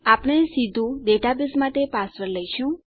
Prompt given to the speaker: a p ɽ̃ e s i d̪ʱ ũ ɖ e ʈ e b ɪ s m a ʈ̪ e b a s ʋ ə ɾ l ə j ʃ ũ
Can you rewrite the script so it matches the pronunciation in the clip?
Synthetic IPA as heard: a p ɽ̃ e s i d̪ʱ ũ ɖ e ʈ a b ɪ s m a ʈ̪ e p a s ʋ ə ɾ l ə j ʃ ũ